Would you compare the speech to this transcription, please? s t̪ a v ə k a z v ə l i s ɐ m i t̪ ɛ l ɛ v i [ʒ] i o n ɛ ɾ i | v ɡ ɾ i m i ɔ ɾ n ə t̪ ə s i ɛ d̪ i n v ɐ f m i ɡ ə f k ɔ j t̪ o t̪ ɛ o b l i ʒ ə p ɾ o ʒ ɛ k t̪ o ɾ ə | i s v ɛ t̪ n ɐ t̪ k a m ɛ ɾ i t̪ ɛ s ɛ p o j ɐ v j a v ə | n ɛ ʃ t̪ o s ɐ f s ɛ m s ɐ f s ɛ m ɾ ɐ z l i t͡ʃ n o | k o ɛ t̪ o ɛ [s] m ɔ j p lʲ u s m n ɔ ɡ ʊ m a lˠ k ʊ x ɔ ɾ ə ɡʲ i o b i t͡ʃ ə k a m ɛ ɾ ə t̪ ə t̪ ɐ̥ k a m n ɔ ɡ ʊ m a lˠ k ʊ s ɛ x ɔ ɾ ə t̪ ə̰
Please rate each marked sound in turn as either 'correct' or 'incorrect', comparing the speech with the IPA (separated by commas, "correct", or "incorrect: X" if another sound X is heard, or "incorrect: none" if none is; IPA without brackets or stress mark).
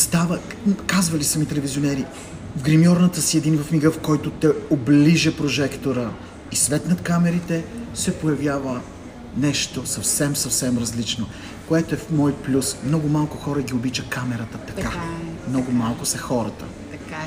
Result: incorrect: z, incorrect: f